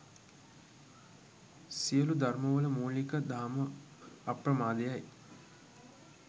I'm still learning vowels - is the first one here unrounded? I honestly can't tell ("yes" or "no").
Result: yes